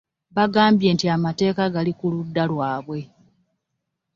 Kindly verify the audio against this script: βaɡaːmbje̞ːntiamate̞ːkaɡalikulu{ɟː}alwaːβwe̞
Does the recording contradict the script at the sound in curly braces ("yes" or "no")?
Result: yes